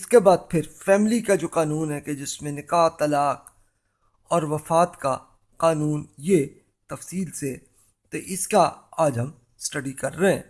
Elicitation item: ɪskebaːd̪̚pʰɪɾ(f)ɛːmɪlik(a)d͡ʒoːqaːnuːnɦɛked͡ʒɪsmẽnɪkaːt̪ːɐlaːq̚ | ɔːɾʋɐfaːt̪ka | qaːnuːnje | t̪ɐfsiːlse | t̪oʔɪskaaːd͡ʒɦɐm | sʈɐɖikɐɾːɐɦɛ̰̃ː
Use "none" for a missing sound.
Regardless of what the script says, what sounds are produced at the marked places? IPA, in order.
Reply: f, a

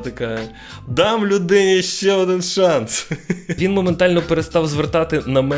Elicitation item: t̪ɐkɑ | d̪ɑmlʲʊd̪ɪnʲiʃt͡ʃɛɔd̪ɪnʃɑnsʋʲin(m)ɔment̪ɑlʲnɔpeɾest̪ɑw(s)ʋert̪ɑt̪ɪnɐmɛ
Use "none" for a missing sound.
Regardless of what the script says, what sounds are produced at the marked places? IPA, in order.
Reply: m, z

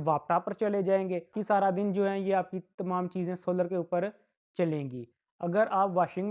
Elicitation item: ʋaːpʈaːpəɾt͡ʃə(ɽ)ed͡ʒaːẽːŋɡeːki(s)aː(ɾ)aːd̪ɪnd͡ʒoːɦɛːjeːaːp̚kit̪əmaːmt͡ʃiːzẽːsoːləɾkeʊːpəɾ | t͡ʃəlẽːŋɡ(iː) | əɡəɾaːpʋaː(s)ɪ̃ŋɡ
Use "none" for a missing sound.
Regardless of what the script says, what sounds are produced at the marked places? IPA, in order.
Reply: l, s, ɾ, iː, ʃ

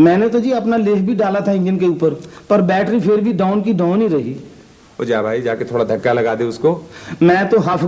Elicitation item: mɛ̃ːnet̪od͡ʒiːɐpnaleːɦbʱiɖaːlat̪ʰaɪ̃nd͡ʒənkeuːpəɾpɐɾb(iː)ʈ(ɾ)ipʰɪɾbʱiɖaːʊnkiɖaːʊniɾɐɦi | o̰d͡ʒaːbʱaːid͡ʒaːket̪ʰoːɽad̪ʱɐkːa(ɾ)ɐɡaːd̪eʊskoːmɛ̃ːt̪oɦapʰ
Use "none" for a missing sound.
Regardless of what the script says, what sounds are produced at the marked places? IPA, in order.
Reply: ɛː, ɾ, l

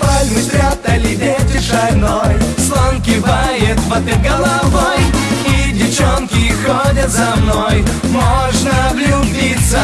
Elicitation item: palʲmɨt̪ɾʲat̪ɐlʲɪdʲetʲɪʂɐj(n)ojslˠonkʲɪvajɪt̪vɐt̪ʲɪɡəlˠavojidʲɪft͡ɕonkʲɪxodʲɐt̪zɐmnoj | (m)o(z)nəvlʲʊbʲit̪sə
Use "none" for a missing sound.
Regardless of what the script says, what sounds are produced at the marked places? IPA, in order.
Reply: n, m, ʐ

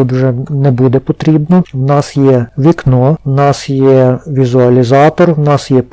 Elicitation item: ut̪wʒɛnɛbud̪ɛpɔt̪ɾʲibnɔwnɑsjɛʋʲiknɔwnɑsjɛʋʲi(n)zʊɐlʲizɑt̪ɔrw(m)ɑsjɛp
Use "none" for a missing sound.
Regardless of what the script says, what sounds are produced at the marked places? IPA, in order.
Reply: none, n

